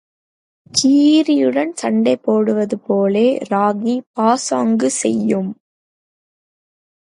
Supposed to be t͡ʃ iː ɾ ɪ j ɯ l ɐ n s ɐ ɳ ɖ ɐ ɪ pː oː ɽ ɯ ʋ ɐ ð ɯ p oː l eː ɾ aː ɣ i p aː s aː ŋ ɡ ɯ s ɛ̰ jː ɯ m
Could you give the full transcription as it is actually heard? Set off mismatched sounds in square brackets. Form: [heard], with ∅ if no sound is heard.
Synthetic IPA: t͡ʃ iː ɾ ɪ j ɯ [ɽ] ɐ n s ɐ ɳ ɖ ɐ ɪ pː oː ɽ ɯ ʋ ɐ ð ɯ p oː l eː ɾ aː ɣ i p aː s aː ŋ ɡ ɯ s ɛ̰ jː ɯ m

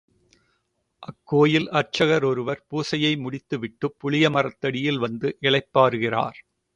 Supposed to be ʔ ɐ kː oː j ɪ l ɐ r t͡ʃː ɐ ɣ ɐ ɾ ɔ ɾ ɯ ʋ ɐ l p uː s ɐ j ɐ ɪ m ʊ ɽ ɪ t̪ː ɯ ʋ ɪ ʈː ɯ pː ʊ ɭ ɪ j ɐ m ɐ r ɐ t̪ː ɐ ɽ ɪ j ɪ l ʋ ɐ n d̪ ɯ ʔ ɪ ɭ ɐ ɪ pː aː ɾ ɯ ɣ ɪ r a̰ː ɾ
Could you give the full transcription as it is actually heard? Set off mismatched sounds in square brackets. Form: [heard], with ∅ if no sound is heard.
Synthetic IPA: ʔ ɐ kː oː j ɪ l ɐ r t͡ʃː ɐ ɣ ɐ ɾ ɔ ɾ ɯ ʋ ɐ [ɾ] p uː s ɐ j ɐ ɪ m ʊ ɽ ɪ t̪ː ɯ ʋ ɪ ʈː ɯ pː ʊ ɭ ɪ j ɐ m ɐ r ɐ t̪ː ɐ ɽ ɪ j ɪ l ʋ ɐ n d̪ ɯ ʔ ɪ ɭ ɐ ɪ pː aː ɾ ɯ ɣ ɪ r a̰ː ɾ

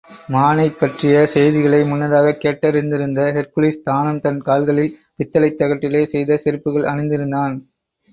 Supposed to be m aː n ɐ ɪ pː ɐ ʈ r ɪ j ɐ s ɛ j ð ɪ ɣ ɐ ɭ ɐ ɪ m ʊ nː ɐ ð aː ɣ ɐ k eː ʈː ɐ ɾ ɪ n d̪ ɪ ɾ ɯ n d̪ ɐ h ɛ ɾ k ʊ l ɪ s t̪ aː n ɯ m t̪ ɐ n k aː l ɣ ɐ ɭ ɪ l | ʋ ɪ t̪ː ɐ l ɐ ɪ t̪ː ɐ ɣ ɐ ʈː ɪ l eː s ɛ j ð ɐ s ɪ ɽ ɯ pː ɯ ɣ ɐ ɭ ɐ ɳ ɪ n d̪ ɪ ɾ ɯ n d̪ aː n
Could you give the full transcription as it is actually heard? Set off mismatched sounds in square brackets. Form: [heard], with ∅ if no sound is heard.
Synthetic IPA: m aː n ɐ ɪ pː ɐ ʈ r ɪ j ɐ s ɛ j ð ɪ ɣ ɐ ɭ ɐ ɪ m ʊ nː ɐ ð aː ɣ ɐ k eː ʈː ɐ ɾ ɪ n d̪ ɪ ɾ ɯ n d̪ ɐ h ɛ ɾ k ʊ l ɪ s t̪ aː n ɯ m t̪ ɐ n k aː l ɣ ɐ ɭ ɪ l | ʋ ɪ t̪ː ɐ l ɐ ɪ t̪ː ɐ ɣ ɐ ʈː ɪ l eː s ɛ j ð ɐ s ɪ [ɾ] ɯ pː ɯ ɣ ɐ ɭ ɐ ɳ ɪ n d̪ ɪ ɾ ɯ n d̪ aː n

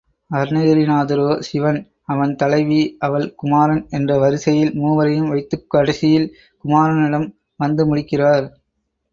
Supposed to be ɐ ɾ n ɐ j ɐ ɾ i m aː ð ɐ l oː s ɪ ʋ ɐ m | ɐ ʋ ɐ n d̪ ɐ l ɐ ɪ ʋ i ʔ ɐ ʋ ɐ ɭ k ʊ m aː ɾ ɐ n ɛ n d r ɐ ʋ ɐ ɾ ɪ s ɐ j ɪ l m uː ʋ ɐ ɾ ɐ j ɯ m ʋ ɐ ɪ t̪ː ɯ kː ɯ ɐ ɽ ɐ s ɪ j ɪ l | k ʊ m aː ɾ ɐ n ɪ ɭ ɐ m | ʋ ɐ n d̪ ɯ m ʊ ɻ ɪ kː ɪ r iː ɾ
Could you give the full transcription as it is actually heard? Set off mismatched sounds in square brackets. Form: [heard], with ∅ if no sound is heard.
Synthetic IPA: ɐ ɾ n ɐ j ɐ ɾ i [n] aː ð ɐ [ɾ] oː s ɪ ʋ ɐ [n] | ɐ ʋ ɐ n [t̪] ɐ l ɐ ɪ ʋ i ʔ ɐ ʋ ɐ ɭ k ʊ m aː ɾ ɐ n ɛ n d r ɐ ʋ ɐ ɾ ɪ s ɐ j ɪ l m uː ʋ ɐ ɾ ɐ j ɯ m ʋ ɐ ɪ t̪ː ɯ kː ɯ ɐ ɽ ɐ s ɪ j ɪ l | k ʊ m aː ɾ ɐ n ɪ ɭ ɐ m | ʋ ɐ n d̪ ɯ m ʊ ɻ ɪ kː ɪ r [aː] ɾ

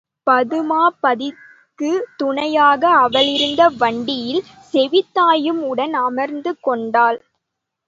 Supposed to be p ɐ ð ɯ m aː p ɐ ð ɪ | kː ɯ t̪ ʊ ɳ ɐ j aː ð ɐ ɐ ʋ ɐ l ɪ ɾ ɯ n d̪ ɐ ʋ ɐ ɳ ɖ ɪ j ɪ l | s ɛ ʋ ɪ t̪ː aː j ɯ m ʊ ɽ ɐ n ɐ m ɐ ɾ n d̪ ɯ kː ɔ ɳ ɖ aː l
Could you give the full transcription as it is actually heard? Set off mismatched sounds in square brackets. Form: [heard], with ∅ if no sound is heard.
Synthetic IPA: p ɐ ð ɯ m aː p ɐ ð ɪ | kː ɯ t̪ ʊ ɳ ɐ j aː [ɣ] ɐ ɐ ʋ ɐ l ɪ ɾ ɯ n d̪ ɐ ʋ ɐ ɳ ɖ ɪ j ɪ l | s ɛ ʋ ɪ t̪ː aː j ɯ m ʊ ɽ ɐ n ɐ m ɐ ɾ n d̪ ɯ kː ɔ ɳ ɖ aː l

